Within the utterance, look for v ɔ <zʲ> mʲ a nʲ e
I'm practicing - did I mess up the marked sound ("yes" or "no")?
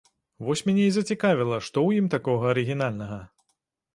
yes